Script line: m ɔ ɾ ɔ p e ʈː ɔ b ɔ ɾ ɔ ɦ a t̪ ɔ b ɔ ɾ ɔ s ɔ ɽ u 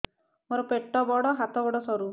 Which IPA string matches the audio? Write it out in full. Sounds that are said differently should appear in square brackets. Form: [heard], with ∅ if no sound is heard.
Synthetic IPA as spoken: m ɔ ɾ ɔ p e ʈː ɔ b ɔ [ɽ] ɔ ɦ a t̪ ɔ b ɔ [ɽ] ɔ s ɔ [ɾ] u